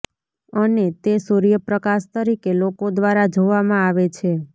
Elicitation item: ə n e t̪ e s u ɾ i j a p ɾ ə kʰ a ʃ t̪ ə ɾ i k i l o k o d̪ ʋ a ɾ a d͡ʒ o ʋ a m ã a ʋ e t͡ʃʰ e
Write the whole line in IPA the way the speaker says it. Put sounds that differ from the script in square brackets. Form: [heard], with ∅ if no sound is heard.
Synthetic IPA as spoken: ə n e t̪ e s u ɾ i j [ə] p ɾ ə [k] a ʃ t̪ ə ɾ i k [e] l o k o d̪ ʋ a ɾ a d͡ʒ o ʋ a m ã a ʋ e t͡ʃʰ e